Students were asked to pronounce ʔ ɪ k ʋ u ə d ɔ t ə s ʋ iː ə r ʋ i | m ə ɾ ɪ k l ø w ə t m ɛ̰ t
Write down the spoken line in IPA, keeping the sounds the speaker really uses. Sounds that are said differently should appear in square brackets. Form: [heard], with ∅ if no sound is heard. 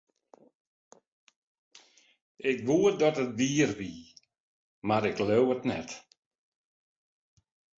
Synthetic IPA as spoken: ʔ ɪ k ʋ u ə d ɔ t ə [t] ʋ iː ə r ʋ i | m [a] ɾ ɪ k l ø w ə t [n] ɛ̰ t